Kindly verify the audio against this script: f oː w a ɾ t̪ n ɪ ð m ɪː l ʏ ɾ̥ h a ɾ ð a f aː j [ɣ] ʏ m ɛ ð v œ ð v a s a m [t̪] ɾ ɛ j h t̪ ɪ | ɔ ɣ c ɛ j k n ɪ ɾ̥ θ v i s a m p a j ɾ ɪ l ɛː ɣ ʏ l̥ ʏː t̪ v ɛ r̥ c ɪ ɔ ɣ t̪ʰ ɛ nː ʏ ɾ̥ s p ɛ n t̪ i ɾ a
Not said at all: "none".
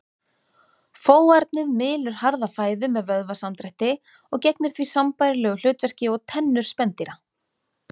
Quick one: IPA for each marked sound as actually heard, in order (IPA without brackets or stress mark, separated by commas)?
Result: ð, t̪